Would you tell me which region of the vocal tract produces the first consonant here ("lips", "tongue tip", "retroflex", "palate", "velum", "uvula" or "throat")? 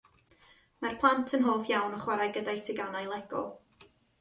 lips